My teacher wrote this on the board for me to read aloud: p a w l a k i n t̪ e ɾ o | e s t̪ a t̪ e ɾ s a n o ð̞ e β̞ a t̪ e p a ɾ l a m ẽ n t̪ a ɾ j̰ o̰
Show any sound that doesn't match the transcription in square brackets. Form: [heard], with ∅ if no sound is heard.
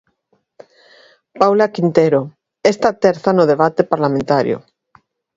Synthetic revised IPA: p a w l a k i n t̪ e ɾ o | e s t̪ a t̪ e ɾ [θ] a n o ð̞ e β̞ a t̪ e p a ɾ l a m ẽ n t̪ a ɾ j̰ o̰